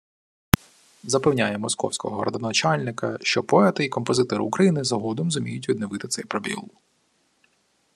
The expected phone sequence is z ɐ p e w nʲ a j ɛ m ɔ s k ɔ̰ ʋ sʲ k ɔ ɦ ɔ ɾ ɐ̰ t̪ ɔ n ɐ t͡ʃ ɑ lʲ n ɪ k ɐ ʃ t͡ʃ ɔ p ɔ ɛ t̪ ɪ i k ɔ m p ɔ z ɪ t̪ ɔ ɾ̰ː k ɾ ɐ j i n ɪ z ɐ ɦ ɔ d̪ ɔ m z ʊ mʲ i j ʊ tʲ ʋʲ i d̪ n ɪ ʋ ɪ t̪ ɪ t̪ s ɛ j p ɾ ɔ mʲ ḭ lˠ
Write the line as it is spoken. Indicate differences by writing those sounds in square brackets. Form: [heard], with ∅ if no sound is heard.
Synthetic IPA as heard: z ɐ p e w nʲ a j ɛ m ɔ s k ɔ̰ [w] sʲ k ɔ ɦ ɔ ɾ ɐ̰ [d̪] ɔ n ɐ t͡ʃ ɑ lʲ n ɪ k ɐ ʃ t͡ʃ ɔ p ɔ ɛ t̪ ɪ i k ɔ m p ɔ z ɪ t̪ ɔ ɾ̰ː k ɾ ɐ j i n ɪ z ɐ ɦ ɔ d̪ ɔ m z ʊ mʲ i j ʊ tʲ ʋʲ i d̪ n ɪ ʋ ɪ t̪ ɪ t̪ s ɛ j p ɾ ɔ [bʲ] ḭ lˠ